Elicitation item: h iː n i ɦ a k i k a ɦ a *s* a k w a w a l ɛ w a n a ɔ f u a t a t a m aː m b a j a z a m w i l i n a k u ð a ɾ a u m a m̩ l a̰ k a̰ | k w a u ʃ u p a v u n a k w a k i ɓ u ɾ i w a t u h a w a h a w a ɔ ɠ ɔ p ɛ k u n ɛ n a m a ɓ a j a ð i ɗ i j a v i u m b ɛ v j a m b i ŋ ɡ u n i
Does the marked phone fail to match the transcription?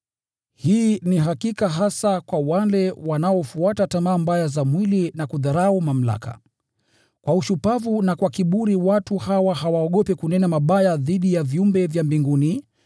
no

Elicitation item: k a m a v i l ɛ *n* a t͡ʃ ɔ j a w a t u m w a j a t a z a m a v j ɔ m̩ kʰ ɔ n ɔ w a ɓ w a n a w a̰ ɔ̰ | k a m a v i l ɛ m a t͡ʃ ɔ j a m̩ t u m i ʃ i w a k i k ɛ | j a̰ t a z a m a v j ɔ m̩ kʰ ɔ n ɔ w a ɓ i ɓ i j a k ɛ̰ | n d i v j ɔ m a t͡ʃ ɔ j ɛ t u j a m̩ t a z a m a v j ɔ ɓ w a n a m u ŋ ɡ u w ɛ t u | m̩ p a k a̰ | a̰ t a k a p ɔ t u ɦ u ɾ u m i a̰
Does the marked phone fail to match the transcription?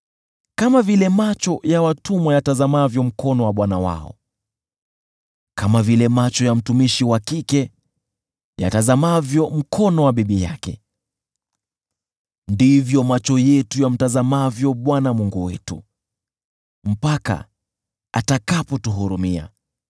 yes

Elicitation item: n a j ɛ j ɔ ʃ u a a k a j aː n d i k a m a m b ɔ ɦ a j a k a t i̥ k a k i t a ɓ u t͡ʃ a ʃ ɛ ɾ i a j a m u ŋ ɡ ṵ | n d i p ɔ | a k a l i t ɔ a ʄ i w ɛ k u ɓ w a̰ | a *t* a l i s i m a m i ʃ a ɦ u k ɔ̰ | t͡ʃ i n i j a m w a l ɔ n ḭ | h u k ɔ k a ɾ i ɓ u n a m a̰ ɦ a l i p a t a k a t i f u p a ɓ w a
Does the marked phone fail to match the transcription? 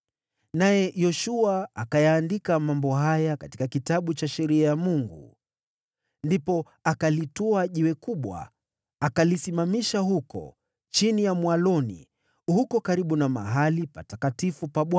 yes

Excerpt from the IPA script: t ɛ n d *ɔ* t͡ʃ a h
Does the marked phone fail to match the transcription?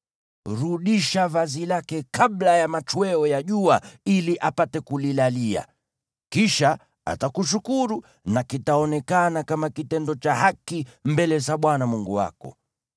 no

